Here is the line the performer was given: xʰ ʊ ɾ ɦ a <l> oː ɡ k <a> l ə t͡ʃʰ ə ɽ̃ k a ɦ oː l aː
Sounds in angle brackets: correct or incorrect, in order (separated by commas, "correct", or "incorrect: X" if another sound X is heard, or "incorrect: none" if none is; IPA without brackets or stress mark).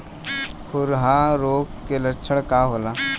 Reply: incorrect: ɾ, incorrect: e